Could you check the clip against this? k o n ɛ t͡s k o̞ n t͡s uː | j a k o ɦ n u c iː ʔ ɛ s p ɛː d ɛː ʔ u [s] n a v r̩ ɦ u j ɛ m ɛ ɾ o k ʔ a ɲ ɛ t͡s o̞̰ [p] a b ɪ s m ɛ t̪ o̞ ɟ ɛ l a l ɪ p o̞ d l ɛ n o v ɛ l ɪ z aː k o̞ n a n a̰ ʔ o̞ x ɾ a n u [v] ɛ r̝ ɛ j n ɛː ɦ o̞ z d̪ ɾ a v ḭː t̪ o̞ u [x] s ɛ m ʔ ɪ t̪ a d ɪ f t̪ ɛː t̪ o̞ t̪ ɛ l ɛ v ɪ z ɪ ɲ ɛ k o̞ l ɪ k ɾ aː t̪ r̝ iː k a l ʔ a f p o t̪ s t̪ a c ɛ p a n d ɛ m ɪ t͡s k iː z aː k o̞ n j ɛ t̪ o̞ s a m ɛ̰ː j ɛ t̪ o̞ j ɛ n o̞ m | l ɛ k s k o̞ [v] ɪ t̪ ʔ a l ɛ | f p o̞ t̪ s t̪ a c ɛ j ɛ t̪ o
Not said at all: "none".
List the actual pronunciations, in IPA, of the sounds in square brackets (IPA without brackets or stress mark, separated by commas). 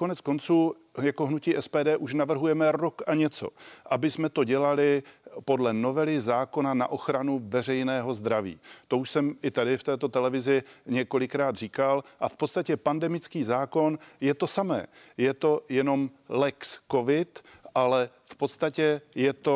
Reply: ʃ, ʔ, v, ʃ, v